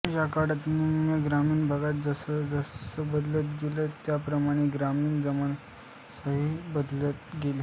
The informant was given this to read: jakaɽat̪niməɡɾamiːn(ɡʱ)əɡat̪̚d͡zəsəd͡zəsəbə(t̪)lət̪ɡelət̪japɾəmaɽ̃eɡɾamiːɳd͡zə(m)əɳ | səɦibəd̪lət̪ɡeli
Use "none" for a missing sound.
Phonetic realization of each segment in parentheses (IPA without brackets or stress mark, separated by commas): bʱ, d̪, m